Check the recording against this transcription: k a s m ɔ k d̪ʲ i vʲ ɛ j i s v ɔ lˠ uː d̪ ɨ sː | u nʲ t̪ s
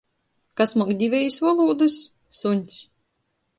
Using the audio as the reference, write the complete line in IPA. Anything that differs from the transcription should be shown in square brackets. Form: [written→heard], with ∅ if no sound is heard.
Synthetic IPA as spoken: k a s m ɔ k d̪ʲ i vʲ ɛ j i s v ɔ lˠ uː d̪ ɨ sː | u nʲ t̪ s

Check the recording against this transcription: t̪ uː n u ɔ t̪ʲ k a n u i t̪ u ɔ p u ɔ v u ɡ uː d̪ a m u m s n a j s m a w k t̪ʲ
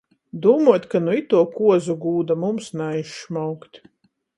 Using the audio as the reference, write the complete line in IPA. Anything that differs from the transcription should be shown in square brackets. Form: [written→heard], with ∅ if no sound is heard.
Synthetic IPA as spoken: [t̪→d̪] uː [n→m] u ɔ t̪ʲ k a n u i t̪ u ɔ [p→k] u ɔ [v→z] u ɡ uː d̪ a m u m s n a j [s→ʃ] m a w k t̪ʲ

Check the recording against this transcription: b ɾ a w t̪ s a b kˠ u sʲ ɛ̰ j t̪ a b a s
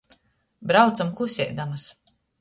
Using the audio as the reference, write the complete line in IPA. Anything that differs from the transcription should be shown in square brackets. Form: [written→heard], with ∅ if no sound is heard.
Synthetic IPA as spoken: b ɾ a w t̪ s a [b→m] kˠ u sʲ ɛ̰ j [t̪→d̪] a [b→m] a s

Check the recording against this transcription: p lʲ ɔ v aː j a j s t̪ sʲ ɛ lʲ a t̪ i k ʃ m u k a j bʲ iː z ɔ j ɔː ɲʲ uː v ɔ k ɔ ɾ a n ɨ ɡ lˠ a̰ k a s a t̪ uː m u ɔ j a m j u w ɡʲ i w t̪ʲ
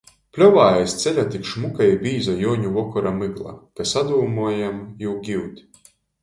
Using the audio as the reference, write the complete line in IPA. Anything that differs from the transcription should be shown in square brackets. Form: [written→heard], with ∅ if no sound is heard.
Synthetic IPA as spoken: p lʲ ɔ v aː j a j s t̪ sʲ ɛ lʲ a t̪ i k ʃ m u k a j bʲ iː z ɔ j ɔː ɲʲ [uː→u] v ɔ k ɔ ɾ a [n→m] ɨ ɡ lˠ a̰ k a s a [t̪→d̪] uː m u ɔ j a m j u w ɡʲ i w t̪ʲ

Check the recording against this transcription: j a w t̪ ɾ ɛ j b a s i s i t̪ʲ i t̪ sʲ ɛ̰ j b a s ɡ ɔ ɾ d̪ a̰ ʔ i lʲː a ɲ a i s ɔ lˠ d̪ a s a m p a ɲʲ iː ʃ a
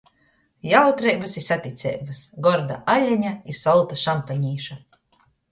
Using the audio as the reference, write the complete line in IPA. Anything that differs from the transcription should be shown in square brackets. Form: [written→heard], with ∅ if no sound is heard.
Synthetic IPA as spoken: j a w t̪ ɾ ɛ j b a s i s [i→a] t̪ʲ i t̪ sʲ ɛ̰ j b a s ɡ ɔ ɾ d̪ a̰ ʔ [i→a] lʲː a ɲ a i s ɔ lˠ [d̪→t̪] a [s→ʃ] a m p a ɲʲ iː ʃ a

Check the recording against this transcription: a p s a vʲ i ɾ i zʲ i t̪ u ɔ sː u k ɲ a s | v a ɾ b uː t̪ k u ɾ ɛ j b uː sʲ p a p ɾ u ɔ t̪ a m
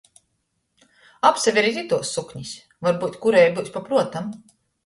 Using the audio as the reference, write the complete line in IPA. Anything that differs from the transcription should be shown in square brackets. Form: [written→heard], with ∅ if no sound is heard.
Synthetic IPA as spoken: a p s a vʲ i ɾ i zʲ i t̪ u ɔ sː u k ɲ [a→i] s | v a ɾ b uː t̪ k u ɾ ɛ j b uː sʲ p a p ɾ u ɔ t̪ a m

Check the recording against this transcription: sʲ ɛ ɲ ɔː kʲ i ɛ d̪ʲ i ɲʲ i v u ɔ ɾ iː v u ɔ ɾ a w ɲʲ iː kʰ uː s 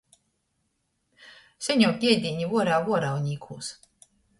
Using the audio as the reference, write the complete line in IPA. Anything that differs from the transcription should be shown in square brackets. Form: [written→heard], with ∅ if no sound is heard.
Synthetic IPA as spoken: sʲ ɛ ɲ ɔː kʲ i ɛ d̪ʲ i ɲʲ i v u ɔ ɾ [iː→aː] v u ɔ ɾ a w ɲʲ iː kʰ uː s

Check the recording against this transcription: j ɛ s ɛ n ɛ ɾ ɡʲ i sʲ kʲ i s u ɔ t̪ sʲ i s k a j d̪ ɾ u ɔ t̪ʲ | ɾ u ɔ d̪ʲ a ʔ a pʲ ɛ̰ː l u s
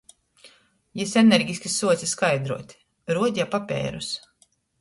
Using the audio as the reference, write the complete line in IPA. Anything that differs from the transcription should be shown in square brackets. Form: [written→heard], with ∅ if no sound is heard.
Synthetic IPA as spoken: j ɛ s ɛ n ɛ ɾ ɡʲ i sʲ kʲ i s u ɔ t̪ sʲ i s k a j d̪ ɾ u ɔ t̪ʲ | ɾ u ɔ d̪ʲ a [ʔ→p] a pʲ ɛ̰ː [l→ɾ] u s

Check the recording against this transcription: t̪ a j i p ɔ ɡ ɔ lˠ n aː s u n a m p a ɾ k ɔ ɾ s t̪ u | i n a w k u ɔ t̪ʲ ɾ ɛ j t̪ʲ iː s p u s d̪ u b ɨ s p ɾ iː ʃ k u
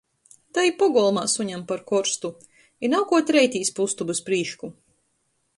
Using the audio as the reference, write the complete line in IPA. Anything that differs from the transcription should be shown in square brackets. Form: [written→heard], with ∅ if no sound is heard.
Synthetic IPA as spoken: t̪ a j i p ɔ ɡ ɔ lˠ [n→m] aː s u [n→ɲ] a m p a ɾ k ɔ ɾ s t̪ u | i n a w k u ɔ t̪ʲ ɾ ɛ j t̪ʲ iː s p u s [d̪→t̪] u b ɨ s p ɾ iː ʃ k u

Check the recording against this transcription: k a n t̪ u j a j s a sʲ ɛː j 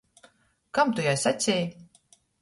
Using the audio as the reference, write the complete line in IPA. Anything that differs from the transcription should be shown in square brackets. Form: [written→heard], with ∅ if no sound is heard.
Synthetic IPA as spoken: k a [n→m] t̪ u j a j s a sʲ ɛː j

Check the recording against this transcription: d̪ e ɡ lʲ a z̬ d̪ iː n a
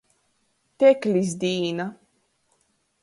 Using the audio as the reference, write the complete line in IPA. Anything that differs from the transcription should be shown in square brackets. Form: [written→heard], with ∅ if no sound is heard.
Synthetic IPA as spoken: [d̪→t̪] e [ɡ→k] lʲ [a→i] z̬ d̪ iː n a

